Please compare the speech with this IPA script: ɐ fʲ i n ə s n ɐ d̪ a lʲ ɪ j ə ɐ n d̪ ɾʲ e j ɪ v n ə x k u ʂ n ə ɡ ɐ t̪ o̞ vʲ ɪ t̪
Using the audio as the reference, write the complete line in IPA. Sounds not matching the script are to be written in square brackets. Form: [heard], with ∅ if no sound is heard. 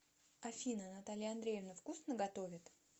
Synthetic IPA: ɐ fʲ i n ə [∅] n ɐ [t̪] a lʲ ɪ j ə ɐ n d̪ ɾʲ e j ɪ v n ə [f] k u [s] n ə ɡ ɐ t̪ o̞ vʲ ɪ t̪